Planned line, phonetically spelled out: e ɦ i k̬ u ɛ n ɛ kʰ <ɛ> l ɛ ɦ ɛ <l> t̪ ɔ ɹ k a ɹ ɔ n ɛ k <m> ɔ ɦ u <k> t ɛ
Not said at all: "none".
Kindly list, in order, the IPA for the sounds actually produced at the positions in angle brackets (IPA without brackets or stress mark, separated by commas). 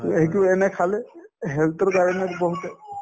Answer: a, l, b, none